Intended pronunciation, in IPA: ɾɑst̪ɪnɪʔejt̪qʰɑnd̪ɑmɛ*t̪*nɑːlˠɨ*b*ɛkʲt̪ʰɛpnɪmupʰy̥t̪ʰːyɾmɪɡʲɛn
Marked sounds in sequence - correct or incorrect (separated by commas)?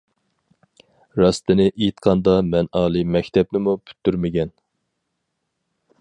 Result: incorrect, incorrect